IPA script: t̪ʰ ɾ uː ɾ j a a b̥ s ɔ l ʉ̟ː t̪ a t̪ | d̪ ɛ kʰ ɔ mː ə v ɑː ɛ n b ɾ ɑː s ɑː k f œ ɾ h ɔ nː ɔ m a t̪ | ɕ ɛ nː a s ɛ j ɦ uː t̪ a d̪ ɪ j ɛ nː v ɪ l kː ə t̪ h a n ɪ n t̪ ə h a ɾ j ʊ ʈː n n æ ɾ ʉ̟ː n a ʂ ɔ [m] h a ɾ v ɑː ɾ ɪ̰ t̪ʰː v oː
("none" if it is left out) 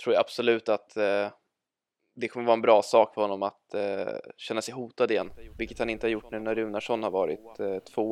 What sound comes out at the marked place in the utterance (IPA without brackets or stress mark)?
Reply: n